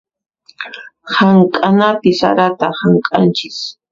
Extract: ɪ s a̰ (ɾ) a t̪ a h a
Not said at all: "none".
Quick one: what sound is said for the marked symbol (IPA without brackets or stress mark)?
ɾ